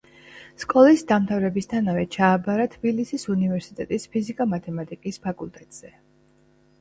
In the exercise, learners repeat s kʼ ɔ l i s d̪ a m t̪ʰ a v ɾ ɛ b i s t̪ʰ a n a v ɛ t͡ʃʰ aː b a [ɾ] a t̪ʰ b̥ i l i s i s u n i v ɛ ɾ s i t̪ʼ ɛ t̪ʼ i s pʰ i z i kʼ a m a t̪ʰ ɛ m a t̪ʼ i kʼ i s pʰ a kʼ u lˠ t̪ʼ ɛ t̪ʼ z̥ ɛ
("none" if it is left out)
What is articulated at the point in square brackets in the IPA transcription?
ɾ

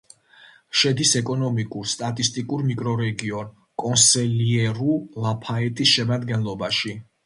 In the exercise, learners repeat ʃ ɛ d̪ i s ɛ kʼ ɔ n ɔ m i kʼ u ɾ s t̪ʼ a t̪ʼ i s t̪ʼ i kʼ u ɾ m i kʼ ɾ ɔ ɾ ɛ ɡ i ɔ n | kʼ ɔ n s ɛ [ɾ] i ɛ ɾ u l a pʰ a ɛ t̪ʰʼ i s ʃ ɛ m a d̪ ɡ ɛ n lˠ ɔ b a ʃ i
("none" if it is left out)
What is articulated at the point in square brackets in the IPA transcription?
l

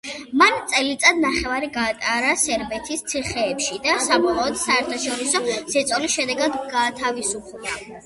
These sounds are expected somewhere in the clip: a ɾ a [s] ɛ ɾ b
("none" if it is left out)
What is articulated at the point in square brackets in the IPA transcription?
s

